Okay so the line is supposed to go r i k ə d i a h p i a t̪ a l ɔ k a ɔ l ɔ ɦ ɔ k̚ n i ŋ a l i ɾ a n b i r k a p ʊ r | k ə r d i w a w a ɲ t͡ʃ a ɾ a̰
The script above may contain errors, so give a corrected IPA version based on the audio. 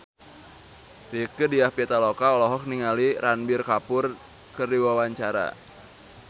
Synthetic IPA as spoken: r i k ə d i a h p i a t̪ a l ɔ k a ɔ l ɔ ɦ ɔ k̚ n i ŋ a l i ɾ a n b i r k a p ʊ r | k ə r d i w a w a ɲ t͡ʃ a ɾ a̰